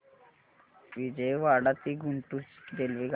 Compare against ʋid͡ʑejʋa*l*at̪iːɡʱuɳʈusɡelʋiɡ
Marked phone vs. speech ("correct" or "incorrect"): incorrect